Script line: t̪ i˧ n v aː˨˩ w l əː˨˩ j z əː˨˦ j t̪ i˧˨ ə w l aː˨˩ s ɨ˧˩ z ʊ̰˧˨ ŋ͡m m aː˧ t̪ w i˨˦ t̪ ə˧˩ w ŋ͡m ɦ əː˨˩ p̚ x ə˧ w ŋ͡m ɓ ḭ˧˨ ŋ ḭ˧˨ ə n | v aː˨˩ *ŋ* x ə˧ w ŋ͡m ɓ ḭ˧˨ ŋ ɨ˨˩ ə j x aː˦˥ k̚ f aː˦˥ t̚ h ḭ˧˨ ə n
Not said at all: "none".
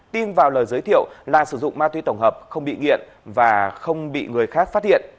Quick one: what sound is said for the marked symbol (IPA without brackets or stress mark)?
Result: none